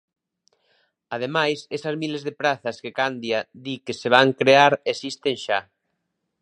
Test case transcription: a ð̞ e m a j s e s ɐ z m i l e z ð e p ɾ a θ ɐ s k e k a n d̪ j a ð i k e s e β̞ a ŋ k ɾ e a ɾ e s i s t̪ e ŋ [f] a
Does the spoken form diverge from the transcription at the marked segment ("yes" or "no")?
yes